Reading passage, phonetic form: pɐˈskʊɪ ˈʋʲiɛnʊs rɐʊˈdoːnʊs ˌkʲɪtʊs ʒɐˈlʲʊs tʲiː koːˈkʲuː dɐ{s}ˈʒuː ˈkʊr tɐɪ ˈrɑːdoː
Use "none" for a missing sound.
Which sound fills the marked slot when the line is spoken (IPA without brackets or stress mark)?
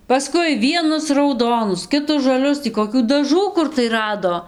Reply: none